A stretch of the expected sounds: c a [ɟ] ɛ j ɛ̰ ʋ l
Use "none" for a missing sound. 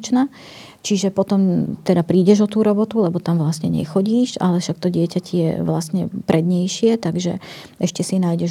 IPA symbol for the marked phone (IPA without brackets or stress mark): c